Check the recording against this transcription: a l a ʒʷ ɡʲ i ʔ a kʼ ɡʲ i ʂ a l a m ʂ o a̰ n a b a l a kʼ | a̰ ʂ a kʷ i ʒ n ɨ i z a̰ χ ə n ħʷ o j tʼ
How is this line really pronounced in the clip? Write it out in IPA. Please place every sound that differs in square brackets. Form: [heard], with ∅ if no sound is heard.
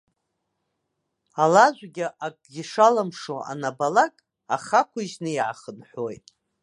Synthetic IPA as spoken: a l a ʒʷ ɡʲ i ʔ a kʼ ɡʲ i ʂ a l a m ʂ o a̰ n a b a l a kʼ | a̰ [χ] a kʷ i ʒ n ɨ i [ʕ] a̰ χ ə n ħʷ o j tʼ